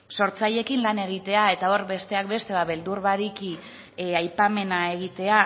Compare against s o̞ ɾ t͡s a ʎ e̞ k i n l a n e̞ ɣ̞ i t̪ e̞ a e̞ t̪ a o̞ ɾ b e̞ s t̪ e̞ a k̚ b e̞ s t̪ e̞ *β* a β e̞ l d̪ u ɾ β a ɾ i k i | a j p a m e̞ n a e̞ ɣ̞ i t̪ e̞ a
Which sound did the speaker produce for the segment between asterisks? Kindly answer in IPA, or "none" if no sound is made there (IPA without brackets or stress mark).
β